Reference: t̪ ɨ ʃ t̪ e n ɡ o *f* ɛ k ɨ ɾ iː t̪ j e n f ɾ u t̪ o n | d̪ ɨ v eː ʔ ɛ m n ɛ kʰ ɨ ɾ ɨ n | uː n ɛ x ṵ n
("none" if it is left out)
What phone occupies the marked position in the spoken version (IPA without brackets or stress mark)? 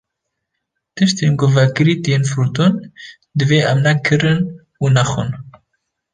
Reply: v